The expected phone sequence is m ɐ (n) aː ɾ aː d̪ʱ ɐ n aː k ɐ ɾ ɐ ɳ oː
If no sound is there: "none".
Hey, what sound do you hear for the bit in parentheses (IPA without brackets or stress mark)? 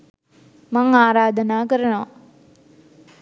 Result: ŋ